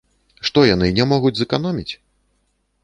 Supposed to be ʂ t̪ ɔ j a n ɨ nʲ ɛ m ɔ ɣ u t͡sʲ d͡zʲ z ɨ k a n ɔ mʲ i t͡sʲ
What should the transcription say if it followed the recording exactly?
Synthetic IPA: ʂ t̪ ɔ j a n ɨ nʲ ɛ m ɔ ɣ u d͡zʲ z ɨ k a n ɔ mʲ i t͡sʲ